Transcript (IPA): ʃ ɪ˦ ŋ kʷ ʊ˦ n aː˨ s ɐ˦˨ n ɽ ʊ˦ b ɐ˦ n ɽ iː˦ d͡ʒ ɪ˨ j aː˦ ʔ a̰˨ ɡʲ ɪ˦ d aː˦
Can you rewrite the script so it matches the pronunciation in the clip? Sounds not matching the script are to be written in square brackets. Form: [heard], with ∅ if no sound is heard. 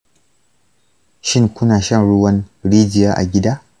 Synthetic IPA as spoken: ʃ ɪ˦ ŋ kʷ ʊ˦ n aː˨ [ʃ] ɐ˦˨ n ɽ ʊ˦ [w] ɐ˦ n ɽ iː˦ d͡ʒ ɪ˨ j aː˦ ʔ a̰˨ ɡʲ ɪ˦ d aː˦